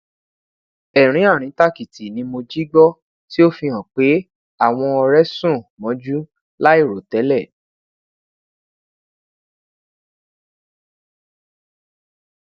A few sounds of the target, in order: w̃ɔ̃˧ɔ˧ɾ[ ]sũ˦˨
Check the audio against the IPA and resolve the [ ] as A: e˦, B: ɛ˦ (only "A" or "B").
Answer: B